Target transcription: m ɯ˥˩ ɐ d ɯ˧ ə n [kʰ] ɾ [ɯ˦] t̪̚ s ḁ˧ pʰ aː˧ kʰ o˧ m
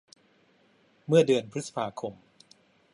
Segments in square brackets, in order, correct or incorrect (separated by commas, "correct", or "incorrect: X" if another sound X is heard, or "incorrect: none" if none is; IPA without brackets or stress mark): incorrect: pʰ, correct